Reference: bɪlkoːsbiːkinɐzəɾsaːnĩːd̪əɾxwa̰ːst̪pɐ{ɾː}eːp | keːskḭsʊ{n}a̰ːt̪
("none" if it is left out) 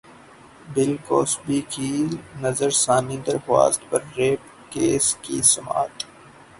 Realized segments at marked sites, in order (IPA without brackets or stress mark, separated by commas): ɾː, m